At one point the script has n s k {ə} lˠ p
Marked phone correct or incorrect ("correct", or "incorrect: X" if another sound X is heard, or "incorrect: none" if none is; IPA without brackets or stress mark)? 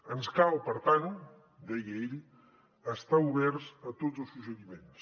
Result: incorrect: a